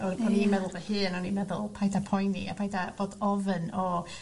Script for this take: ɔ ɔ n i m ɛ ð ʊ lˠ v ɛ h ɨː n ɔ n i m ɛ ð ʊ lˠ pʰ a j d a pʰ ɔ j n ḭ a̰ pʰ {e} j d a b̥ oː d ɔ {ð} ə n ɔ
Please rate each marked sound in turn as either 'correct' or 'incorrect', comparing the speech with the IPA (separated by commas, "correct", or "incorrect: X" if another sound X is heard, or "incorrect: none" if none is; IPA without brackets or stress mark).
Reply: incorrect: a, incorrect: v